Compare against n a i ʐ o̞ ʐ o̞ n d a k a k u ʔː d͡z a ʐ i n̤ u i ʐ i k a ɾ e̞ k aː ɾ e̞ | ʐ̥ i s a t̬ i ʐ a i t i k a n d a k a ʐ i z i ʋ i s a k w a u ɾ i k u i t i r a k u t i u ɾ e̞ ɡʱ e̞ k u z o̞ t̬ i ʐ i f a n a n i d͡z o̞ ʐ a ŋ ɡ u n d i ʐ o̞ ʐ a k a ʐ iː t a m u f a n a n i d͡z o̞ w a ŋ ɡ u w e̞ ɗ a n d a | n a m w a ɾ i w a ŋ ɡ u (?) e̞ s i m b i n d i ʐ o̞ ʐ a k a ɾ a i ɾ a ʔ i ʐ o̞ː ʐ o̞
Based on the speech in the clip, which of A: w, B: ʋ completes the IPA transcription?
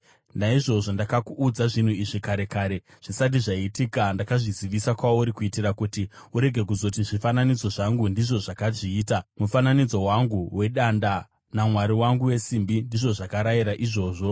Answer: A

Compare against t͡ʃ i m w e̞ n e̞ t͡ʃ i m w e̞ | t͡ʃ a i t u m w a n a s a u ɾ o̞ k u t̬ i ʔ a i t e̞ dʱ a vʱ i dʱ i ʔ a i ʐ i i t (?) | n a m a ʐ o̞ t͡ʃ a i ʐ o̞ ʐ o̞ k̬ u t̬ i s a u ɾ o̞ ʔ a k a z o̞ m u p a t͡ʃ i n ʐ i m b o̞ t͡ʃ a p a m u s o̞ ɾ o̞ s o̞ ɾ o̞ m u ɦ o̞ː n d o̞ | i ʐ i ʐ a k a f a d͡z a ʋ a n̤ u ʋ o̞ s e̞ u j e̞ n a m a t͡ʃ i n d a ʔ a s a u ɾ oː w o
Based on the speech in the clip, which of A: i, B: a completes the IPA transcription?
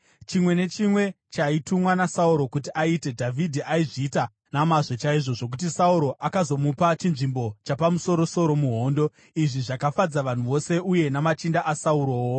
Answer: B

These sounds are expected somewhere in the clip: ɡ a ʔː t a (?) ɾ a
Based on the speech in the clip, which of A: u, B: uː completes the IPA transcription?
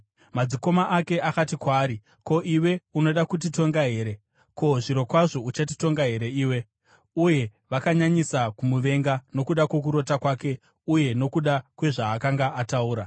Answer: B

